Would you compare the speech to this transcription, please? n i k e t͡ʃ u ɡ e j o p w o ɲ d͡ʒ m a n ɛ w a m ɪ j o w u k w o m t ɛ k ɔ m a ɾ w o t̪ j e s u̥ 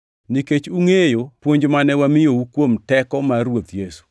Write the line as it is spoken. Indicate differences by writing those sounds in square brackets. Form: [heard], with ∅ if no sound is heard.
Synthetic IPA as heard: n i k e t͡ʃ u [ŋ] e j o p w o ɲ d͡ʒ m a n ɛ w a m ɪ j o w u k w o m t ɛ k ɔ m a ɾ w o t̪ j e s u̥